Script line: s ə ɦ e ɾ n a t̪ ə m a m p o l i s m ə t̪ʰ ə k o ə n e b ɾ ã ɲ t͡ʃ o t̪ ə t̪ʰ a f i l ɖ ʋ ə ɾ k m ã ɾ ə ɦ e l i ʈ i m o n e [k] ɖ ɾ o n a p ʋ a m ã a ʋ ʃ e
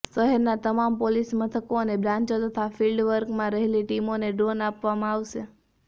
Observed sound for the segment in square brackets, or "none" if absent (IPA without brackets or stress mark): none